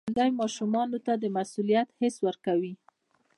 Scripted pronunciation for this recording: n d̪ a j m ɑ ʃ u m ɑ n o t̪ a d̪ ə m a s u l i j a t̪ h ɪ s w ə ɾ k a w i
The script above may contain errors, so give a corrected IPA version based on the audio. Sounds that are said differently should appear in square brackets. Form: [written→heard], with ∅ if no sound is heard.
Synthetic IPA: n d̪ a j m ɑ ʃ u m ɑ n o t̪ a d̪ ə m a s u l i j a t̪ h ɪ s w ə ɾ k a w i